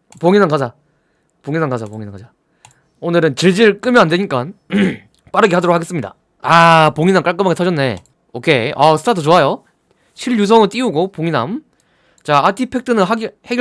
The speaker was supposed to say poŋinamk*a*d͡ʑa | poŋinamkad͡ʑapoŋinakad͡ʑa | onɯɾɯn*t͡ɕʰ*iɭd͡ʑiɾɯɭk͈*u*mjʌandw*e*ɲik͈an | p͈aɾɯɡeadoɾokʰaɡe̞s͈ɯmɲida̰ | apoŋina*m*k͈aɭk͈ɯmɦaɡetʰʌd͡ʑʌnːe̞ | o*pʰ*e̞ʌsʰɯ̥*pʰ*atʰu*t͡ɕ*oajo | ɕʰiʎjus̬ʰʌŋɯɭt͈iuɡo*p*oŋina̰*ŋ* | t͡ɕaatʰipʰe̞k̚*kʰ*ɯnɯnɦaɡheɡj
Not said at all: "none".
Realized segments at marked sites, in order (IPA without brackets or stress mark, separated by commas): a, t͡ɕ, ɯ, e, m, kʰ, tʰ, t͡ɕ, p, m, tʰ